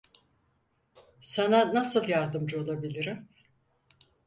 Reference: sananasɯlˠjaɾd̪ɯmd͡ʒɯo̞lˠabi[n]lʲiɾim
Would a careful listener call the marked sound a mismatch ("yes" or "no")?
yes